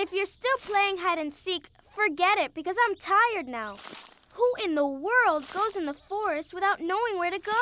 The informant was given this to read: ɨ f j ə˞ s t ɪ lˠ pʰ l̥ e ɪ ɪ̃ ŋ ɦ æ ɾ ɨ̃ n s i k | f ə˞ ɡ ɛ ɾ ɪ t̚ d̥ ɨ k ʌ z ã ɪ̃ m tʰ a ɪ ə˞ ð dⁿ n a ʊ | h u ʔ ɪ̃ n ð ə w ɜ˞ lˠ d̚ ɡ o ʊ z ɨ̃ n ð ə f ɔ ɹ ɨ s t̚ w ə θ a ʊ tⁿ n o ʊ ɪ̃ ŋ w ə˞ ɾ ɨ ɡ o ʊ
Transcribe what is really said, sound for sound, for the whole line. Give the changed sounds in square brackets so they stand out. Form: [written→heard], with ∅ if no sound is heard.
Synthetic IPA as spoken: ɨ f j ə˞ s t ɪ lˠ pʰ l̥ e ɪ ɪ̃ ŋ ɦ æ ɾ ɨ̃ n s i k | f ə˞ ɡ ɛ ɾ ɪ t̚ [d̥→b̥] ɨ k ʌ z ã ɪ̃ m tʰ a ɪ ə˞ [ð→∅] dⁿ n a ʊ | h u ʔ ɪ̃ n ð ə w ɜ˞ lˠ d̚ ɡ o ʊ z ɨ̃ n ð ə f ɔ ɹ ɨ s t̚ w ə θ a ʊ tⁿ n o ʊ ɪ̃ ŋ w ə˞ ɾ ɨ ɡ o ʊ